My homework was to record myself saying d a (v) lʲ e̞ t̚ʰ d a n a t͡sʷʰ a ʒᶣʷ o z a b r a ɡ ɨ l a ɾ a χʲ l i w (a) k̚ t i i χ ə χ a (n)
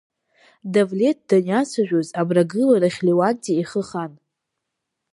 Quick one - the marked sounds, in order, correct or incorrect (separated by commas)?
correct, correct, correct